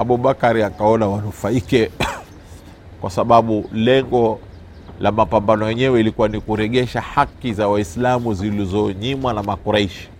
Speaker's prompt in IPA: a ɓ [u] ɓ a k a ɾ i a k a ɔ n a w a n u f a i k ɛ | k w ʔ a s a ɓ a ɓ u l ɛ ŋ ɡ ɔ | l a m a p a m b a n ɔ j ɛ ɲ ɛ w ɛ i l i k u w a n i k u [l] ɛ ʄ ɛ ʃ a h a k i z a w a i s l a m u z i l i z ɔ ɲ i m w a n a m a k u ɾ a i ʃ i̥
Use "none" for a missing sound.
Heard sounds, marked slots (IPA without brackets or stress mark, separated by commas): u, ɾ